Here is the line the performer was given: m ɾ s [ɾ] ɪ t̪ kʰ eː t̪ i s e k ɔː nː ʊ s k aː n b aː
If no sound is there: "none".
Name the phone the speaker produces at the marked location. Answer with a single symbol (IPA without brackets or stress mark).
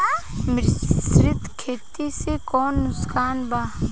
ɾ